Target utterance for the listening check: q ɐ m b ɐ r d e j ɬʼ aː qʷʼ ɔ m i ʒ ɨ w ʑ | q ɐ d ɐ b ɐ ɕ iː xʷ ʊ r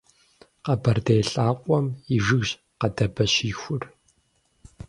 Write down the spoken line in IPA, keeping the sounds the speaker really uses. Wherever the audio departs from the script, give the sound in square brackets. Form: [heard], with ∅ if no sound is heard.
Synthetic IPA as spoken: q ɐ [∅] b ɐ r d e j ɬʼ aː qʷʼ ɔ m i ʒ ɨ [ɣ] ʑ | q ɐ d ɐ b ɐ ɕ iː xʷ ʊ r